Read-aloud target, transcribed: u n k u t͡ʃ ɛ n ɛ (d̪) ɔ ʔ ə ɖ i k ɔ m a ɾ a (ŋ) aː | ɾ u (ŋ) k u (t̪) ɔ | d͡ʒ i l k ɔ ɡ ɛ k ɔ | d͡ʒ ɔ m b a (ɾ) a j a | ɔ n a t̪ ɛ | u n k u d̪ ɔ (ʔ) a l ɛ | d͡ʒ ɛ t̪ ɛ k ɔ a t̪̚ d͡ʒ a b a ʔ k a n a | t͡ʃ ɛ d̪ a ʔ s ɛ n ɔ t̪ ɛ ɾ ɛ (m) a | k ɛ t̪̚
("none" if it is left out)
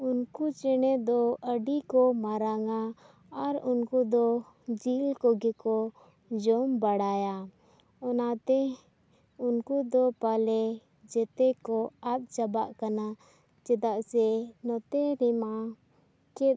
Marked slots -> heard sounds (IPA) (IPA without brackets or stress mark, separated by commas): d̪, ŋ, n, d̪, ɽ, p, m